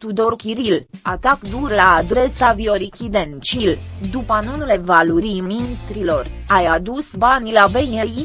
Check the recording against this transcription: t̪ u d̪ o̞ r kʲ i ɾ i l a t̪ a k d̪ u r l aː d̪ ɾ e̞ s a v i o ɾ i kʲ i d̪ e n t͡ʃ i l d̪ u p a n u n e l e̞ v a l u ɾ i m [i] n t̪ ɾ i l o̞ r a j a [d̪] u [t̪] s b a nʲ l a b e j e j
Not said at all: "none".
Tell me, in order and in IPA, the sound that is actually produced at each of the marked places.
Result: i, d̪, none

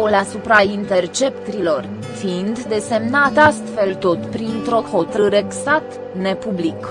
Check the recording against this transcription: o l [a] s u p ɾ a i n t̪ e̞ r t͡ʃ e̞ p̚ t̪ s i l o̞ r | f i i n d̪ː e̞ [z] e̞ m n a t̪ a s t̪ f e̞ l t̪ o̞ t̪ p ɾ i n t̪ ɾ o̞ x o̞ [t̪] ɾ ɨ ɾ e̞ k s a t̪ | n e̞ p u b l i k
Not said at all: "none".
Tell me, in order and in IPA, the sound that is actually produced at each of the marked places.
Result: a, s, t̪

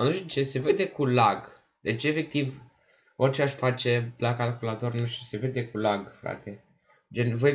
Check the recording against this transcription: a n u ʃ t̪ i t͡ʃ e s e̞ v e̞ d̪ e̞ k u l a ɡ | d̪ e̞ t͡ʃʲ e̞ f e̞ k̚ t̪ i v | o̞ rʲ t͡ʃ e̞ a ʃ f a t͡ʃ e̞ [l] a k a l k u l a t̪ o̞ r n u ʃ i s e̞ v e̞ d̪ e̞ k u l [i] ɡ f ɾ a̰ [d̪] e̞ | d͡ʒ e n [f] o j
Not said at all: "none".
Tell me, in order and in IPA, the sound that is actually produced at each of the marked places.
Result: l, a, t̪, v

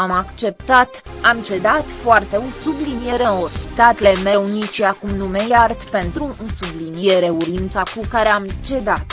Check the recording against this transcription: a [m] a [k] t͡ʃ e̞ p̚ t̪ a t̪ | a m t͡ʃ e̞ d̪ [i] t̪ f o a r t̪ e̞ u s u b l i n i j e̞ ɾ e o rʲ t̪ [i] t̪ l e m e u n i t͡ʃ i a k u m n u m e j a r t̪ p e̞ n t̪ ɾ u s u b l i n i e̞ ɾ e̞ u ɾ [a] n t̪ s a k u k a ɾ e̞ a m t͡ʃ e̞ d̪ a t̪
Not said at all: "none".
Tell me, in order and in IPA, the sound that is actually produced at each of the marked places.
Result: m, k, a, a, i

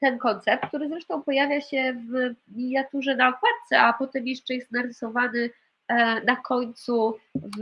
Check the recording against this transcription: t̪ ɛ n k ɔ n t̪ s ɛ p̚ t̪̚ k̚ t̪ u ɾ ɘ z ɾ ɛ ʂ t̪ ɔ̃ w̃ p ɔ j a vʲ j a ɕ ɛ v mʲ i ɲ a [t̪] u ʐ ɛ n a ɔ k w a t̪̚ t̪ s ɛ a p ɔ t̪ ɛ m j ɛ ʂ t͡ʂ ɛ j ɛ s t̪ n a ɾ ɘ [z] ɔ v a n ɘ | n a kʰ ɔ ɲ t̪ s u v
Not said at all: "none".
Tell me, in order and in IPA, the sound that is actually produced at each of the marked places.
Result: t̪, s

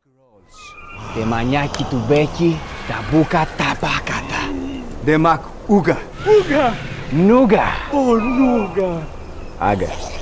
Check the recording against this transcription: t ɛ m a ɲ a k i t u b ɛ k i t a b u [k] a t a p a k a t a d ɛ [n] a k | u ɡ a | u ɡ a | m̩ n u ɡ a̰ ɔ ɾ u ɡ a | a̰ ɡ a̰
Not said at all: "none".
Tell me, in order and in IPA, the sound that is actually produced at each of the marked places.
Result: k, m

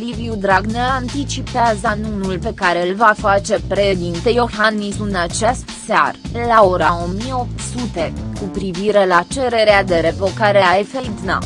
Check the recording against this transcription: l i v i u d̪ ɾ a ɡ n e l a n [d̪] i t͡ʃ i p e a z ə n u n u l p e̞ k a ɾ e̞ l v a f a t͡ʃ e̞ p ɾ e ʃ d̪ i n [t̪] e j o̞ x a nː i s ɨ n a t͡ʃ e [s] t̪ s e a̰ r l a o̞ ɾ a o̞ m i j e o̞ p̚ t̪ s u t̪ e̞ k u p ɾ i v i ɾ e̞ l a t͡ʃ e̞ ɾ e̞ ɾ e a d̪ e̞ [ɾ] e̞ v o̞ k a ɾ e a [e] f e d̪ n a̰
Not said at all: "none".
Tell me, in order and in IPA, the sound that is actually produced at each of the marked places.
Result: t̪, t̪, s, ɾ, e

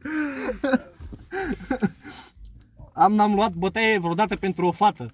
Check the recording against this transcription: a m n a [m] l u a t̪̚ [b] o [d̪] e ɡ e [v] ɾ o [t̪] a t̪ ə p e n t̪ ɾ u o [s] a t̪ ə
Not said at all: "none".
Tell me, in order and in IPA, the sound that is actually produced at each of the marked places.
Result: m, b, t̪, v, d̪, f

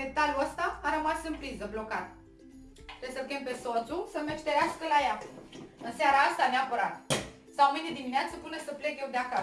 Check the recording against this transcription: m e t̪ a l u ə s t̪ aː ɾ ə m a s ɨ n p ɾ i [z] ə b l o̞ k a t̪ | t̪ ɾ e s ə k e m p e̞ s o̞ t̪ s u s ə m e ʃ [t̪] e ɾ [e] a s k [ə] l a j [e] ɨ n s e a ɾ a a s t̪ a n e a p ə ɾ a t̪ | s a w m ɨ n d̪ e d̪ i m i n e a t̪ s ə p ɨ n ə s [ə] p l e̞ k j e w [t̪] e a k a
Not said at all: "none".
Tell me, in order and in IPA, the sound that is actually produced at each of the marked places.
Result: z, t̪, e, ə, a, ə, d̪

